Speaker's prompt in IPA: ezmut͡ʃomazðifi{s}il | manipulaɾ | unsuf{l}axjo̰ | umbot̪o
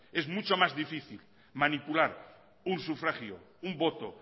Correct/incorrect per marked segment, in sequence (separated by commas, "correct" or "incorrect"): incorrect, incorrect